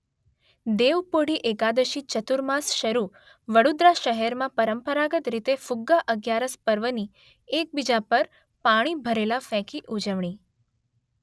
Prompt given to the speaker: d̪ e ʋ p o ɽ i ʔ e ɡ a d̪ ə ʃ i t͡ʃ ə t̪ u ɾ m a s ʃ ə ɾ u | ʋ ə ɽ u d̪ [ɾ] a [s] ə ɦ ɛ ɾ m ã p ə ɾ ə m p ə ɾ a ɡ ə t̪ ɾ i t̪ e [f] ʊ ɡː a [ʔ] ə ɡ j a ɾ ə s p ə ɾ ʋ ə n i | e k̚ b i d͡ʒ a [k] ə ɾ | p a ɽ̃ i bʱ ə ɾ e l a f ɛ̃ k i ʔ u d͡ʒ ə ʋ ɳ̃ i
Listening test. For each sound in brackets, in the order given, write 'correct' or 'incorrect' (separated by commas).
correct, incorrect, correct, correct, incorrect